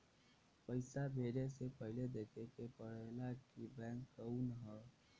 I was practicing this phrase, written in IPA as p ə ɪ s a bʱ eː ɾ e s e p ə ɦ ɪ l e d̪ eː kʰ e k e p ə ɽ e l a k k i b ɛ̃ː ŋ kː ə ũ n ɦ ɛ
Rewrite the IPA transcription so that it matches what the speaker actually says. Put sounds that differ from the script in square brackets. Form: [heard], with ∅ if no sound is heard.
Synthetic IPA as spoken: p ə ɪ s a bʱ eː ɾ e s e p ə ɦ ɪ l e d̪ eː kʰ e k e p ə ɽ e l a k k i b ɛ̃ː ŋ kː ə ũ n ɦ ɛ